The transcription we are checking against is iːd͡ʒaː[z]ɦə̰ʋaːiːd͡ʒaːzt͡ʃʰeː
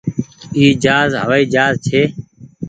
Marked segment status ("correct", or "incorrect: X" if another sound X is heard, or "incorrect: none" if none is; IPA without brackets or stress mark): correct